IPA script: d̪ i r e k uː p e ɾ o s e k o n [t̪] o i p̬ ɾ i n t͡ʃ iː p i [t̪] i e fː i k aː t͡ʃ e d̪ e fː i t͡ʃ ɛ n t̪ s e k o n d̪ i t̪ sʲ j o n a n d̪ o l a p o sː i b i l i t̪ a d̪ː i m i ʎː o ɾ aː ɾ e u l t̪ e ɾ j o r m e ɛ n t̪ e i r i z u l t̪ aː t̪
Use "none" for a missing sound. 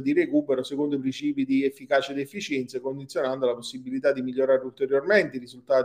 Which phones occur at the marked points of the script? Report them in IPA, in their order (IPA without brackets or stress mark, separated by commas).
d̪, d̪